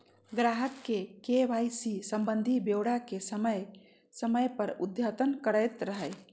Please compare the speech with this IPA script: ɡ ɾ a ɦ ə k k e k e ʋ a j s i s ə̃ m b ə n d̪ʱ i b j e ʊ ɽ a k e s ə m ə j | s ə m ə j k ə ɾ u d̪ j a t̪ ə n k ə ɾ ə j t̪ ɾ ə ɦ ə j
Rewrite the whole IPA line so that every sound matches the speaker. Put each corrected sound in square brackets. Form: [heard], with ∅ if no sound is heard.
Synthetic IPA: ɡ ɾ a ɦ ə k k e k e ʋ a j s i s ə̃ m b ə n d̪ʱ i b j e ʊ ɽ a k e s ə m ə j | s ə m ə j [p] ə ɾ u d̪ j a t̪ ə n k ə ɾ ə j t̪ ɾ ə ɦ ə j